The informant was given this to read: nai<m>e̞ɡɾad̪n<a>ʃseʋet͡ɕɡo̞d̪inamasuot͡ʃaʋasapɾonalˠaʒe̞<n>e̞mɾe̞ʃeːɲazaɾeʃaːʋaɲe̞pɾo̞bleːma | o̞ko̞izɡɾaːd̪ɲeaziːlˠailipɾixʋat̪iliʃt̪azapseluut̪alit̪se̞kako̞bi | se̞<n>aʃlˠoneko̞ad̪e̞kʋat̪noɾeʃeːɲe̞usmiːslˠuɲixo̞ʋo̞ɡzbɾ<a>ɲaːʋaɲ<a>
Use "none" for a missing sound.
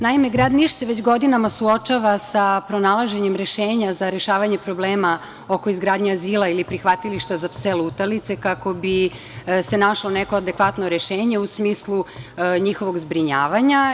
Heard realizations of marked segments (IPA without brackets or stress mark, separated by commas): m, i, ɲ, n, i, a